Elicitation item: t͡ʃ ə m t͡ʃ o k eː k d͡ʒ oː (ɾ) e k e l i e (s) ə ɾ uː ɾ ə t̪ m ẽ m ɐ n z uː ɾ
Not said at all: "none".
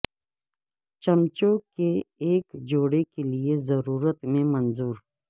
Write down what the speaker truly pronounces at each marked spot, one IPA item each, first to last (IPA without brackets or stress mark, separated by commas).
ɽ, z